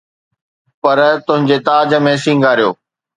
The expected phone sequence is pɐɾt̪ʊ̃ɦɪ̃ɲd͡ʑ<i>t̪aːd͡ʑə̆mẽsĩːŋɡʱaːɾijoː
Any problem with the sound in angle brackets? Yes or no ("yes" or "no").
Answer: yes